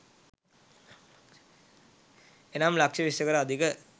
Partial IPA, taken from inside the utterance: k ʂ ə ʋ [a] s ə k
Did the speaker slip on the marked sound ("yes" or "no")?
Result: yes